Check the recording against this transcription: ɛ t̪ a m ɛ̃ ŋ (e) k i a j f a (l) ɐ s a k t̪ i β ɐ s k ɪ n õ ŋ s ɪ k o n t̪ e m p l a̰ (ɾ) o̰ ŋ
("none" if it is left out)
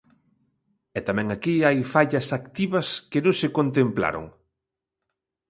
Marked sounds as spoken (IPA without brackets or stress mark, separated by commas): a, ʎ, ɾ